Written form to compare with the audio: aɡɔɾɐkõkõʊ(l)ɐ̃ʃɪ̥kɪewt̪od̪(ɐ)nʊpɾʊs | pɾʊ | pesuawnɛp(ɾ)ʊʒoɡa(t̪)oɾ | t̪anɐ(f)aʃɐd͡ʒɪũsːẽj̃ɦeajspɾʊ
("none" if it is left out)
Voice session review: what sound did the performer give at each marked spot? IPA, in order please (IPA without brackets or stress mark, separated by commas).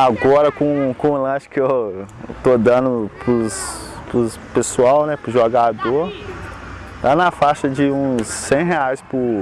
l, ɐ̃, ɾ, d̪, f